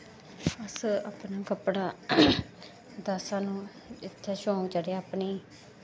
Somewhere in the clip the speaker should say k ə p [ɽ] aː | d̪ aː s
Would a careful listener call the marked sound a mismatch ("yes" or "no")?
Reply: no